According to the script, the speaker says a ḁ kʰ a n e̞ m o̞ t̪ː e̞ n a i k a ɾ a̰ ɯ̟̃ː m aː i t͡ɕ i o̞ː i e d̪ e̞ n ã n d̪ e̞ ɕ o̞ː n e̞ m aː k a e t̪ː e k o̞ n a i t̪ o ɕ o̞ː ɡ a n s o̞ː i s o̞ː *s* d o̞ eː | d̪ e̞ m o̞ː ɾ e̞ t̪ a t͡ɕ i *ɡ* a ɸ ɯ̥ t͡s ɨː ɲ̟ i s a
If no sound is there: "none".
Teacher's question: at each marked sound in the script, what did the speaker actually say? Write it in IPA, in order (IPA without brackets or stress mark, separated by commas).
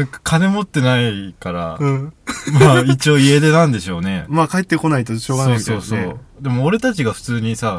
s, ɡ